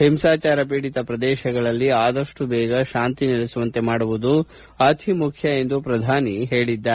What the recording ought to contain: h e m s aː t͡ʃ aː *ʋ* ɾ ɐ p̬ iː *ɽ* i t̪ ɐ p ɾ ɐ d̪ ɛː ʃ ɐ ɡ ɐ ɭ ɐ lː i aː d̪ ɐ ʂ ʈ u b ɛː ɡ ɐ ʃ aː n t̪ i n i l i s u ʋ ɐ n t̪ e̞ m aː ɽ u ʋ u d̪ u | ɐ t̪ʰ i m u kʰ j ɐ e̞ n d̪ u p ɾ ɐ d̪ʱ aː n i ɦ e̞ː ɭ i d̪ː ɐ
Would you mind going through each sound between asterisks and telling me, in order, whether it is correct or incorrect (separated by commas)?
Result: incorrect, correct